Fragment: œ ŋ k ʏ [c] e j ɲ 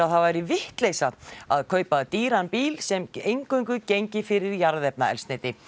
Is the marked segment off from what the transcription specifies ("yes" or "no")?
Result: no